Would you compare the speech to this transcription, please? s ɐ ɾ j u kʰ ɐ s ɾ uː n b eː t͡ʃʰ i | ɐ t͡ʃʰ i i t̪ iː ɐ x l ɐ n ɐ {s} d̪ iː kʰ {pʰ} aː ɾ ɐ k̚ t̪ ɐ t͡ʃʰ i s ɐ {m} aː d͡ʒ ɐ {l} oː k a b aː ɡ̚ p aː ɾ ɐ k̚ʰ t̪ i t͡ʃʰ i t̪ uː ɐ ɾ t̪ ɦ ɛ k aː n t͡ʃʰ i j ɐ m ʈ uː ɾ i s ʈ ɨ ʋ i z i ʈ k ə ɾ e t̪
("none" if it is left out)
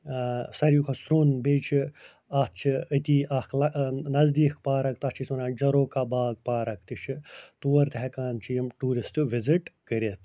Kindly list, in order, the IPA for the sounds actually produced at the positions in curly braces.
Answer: z, p, n, ɾ

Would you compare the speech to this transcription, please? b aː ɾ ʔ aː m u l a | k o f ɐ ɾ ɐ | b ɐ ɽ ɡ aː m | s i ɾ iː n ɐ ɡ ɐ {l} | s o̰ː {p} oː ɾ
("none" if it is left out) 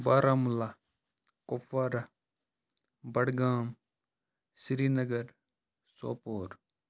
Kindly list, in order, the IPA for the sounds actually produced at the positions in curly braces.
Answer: ɾ, p

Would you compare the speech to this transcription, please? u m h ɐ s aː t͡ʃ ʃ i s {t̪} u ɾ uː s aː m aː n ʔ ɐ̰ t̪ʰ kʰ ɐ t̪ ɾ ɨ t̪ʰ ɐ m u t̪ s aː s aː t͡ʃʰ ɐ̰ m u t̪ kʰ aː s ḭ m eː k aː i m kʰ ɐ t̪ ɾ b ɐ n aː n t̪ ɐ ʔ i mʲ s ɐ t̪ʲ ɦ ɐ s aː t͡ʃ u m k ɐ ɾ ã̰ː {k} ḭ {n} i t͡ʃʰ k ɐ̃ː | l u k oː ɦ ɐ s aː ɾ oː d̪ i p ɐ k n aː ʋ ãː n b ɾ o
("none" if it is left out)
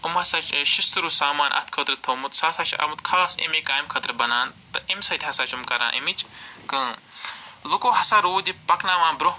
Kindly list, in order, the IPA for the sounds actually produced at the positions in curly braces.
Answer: t̪, ʔ, m

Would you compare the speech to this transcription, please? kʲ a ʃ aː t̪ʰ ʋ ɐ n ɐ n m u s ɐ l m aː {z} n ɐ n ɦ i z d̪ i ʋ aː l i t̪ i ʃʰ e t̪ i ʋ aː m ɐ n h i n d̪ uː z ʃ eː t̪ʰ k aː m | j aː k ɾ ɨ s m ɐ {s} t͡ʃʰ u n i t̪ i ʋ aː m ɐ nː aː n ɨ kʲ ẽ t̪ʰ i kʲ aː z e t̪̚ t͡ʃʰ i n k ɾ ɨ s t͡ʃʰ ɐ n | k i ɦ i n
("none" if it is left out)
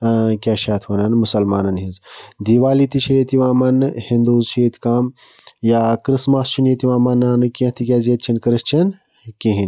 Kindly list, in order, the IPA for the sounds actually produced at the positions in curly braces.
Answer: none, s

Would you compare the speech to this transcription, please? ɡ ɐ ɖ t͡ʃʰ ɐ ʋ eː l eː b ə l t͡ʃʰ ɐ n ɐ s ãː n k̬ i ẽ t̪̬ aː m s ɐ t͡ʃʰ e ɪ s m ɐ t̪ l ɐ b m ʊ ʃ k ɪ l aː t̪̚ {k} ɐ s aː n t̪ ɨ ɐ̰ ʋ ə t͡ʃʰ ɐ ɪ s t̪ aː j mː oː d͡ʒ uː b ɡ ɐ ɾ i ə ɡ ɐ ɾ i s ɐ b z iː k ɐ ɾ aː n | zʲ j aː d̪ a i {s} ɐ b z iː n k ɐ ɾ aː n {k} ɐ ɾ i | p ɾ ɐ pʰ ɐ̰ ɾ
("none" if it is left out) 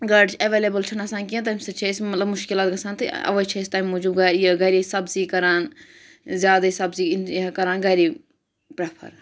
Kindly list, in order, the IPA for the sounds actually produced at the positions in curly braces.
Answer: ɡ, s, ɡ

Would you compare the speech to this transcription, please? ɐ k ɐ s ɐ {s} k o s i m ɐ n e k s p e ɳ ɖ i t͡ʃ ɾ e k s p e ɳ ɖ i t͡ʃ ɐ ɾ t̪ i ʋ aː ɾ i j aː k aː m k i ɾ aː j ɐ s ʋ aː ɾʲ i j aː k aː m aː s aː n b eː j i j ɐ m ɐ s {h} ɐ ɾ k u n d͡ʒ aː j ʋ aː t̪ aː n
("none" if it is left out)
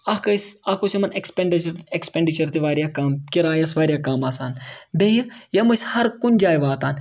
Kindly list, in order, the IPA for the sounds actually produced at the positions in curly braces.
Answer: none, h

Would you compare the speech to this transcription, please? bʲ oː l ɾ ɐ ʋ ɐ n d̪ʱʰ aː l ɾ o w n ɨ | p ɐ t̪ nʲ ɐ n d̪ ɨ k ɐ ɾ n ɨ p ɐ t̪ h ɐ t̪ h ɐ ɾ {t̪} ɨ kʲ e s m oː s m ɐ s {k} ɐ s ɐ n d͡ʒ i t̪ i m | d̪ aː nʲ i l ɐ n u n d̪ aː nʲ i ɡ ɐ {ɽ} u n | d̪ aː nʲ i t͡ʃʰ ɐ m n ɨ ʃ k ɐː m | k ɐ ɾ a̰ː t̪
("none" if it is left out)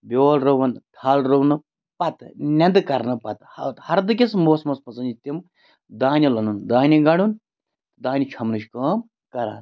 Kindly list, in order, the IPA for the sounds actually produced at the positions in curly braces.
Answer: d̪, p, ɽ

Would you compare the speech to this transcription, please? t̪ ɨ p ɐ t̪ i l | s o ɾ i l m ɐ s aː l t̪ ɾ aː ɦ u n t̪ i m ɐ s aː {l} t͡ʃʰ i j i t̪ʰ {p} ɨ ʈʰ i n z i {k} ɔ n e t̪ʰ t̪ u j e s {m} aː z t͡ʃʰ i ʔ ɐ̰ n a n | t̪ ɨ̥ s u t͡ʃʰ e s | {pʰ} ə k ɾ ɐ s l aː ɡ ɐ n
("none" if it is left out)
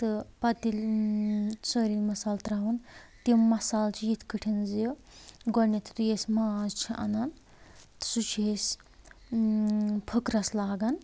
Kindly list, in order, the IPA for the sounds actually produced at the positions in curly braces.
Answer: l, k, ɡ, m, pʰ

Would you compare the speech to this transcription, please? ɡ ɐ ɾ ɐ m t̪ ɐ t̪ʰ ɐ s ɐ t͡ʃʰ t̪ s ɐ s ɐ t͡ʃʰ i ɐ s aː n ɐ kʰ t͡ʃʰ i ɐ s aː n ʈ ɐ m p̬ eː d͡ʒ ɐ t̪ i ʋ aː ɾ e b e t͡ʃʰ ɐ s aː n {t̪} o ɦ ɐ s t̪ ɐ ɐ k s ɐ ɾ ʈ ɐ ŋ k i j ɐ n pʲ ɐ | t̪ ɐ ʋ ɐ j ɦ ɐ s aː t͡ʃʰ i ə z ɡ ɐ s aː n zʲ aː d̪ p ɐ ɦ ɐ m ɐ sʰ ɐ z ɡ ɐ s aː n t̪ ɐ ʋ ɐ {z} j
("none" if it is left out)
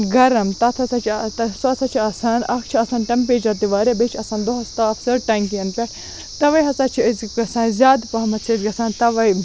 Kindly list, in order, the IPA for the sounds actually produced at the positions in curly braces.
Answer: d̪, none

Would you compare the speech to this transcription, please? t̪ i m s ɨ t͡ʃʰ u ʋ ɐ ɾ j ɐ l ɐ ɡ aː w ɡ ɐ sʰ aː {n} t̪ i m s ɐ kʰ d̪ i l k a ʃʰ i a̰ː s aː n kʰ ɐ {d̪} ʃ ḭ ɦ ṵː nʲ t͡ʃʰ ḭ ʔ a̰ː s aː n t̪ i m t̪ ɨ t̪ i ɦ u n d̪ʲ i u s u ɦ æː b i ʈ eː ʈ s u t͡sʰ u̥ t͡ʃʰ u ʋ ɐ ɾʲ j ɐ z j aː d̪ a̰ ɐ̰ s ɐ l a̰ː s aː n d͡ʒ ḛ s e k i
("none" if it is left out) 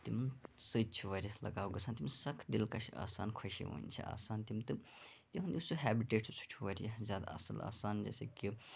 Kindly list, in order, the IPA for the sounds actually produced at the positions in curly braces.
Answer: n, none

